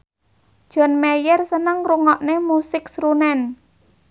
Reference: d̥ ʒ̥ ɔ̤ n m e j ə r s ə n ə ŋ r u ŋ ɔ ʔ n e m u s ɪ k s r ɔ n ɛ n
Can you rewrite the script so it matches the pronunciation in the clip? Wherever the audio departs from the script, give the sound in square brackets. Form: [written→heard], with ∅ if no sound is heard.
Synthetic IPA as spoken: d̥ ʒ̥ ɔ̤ n m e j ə r s ə n ə ŋ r u ŋ ɔ ʔ n e m u s ɪ k s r [ɔ→u] n ɛ n